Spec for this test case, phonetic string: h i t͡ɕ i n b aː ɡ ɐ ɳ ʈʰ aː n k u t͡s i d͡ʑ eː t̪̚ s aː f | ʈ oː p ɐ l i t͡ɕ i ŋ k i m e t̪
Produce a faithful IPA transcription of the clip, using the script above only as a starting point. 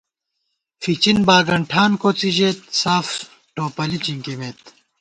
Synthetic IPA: f i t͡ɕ i n b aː ɡ ɐ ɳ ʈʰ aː n k o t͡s i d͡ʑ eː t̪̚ s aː f | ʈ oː p ɐ l i t͡ɕ i ŋ k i m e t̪